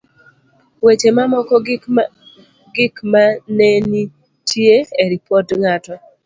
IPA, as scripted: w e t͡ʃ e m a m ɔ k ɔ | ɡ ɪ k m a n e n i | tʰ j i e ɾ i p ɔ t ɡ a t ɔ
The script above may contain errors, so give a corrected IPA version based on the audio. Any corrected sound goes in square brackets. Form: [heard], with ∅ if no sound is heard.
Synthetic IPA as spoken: w e t͡ʃ e m a m ɔ k ɔ | ɡ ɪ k m a n e n i | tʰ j [e] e ɾ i p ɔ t [ŋ] a t ɔ